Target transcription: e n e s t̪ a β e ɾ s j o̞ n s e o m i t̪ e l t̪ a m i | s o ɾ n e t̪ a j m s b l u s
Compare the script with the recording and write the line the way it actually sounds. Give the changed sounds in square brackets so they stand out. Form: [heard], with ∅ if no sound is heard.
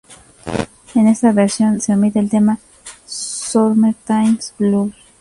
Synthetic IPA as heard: e n e s t̪ a β e ɾ s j o̞ n s e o m i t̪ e l t̪ [e] m [a] | s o ɾ [m] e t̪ a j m s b l u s